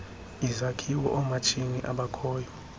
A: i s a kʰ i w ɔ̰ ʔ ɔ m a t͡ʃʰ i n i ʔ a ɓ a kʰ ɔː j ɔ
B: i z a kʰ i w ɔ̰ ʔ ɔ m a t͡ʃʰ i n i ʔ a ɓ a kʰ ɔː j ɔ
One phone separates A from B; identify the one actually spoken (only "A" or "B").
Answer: B